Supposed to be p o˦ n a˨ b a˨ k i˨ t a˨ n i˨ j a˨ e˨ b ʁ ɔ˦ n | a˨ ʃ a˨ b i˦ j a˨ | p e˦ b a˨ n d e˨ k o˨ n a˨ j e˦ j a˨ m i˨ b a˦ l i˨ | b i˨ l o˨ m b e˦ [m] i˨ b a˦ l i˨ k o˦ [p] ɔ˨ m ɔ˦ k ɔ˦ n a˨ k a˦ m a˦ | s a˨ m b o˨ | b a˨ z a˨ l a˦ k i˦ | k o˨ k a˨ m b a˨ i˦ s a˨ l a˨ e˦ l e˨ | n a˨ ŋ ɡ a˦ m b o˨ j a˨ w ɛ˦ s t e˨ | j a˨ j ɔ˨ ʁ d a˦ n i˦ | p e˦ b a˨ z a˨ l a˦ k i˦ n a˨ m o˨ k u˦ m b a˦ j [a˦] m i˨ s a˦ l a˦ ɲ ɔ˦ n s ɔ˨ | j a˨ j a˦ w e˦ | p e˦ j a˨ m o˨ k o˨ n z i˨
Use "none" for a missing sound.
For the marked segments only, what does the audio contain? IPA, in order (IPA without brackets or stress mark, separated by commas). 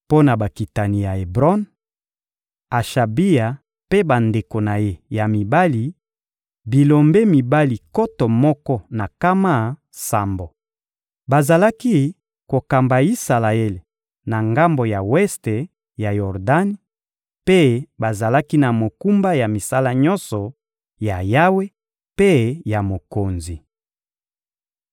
m, t, a˨